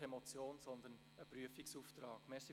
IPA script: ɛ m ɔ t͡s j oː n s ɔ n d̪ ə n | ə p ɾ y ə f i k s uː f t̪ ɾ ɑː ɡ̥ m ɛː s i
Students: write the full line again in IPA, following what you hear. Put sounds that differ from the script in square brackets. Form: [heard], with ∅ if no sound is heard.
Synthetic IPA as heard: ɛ m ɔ t͡s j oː n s ɔ n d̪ ə n | ə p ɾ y ə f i k s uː f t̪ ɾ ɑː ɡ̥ m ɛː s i